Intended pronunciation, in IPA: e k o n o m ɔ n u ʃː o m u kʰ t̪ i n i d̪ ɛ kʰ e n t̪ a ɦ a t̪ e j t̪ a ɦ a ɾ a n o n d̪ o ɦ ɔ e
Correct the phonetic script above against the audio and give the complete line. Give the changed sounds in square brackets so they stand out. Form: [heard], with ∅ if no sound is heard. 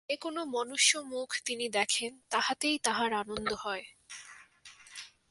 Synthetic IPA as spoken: e k o n o m ɔ n u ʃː o m u kʰ t̪ i n i d̪ ɛ kʰ e n t̪ a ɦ a t̪ e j t̪ a ɦ a ɾ a n o n d̪ o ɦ ɔ e